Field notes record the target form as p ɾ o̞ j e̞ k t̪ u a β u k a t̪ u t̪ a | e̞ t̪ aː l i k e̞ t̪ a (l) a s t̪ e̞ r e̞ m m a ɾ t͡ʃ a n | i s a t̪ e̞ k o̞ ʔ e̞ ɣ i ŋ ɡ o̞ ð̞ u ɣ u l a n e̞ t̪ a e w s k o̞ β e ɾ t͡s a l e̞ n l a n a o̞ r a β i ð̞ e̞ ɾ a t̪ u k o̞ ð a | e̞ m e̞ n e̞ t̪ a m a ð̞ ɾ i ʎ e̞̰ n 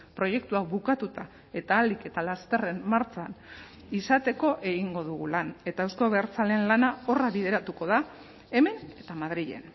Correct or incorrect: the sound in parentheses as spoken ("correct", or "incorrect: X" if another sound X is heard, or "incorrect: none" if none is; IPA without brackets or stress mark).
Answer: correct